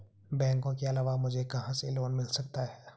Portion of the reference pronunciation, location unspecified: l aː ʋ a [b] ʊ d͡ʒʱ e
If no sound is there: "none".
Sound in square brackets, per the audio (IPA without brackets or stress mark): m